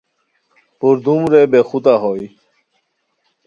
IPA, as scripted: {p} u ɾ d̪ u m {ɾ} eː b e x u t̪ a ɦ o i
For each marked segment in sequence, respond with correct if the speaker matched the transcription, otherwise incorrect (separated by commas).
correct, correct